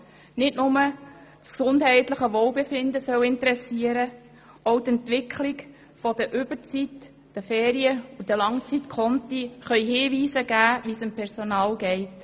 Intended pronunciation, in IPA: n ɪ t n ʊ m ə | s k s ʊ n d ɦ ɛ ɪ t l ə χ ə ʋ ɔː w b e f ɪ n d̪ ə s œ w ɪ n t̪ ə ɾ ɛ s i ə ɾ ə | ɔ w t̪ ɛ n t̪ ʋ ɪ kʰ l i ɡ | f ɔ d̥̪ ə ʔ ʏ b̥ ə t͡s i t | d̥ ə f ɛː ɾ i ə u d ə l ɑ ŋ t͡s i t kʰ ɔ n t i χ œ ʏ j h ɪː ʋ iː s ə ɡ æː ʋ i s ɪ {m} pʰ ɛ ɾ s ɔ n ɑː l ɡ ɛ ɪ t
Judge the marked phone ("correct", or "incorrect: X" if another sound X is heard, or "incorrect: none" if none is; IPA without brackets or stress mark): correct